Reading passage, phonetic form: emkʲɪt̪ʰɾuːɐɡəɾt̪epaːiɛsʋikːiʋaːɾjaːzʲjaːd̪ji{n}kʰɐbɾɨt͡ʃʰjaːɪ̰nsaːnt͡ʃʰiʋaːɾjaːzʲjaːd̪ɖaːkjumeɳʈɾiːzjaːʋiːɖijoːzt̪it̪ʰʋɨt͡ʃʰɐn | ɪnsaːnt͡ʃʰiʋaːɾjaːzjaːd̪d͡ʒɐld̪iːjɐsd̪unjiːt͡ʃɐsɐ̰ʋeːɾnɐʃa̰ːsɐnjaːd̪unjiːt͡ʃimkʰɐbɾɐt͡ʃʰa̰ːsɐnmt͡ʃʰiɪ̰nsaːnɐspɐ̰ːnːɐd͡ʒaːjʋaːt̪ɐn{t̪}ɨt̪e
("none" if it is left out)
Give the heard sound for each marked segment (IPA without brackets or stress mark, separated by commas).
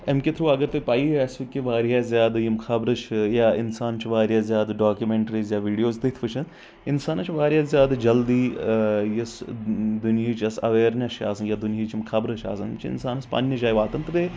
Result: m, t̪